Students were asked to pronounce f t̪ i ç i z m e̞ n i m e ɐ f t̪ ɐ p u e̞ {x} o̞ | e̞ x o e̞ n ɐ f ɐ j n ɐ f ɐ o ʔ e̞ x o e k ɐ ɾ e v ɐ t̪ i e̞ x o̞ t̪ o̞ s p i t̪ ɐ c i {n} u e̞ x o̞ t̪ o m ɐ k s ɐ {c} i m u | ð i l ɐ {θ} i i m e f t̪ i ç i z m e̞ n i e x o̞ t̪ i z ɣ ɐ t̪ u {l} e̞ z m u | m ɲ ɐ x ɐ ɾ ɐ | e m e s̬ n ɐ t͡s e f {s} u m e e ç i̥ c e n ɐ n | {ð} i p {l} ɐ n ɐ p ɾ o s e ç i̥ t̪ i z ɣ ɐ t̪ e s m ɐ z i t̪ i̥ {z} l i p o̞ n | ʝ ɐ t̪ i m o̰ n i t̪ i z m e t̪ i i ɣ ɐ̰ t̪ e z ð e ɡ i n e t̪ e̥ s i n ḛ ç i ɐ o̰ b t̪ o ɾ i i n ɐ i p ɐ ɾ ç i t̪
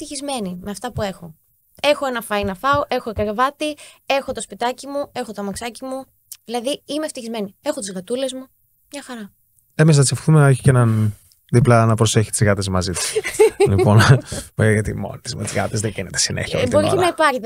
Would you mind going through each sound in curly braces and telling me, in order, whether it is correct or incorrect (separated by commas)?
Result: correct, incorrect, correct, incorrect, correct, incorrect, correct, correct, incorrect